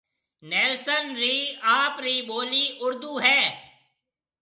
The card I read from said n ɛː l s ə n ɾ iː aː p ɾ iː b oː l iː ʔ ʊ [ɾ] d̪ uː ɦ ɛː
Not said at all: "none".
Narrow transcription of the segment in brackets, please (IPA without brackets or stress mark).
ɾ